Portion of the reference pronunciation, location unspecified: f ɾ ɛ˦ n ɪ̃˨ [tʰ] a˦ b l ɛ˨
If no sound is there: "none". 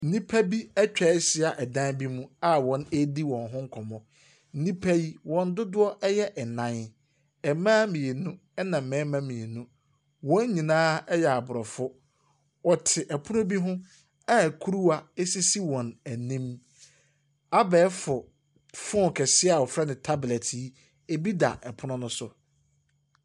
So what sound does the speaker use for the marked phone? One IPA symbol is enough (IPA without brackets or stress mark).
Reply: tʰ